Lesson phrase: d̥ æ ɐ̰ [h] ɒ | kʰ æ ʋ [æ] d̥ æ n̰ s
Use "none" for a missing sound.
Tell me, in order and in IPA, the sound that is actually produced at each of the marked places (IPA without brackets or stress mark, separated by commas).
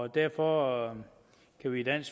f, i